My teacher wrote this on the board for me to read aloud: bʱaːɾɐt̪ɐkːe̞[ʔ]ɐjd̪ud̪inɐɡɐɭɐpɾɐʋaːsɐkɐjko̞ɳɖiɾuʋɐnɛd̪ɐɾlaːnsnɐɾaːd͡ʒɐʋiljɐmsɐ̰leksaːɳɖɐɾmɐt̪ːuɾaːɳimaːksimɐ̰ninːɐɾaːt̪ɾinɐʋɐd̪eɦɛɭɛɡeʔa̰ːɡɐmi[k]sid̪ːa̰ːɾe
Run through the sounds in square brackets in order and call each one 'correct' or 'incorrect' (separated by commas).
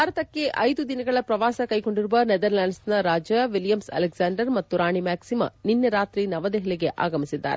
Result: correct, incorrect